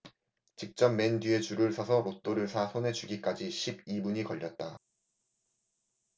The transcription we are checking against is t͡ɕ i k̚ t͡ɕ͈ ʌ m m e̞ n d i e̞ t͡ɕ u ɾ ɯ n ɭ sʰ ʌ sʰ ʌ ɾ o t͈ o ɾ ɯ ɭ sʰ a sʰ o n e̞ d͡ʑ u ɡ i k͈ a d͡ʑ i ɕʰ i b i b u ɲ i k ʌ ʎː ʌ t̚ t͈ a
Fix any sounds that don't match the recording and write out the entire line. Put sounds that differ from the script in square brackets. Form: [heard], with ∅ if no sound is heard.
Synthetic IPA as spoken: t͡ɕ i k̚ t͡ɕ͈ ʌ m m e̞ n d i e̞ t͡ɕ u ɾ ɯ [∅] ɭ sʰ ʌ sʰ ʌ ɾ o t͈ o ɾ ɯ ɭ sʰ a sʰ o n e̞ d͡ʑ u ɡ i k͈ a d͡ʑ i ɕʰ i b i b u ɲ i k ʌ ʎː ʌ t̚ t͈ a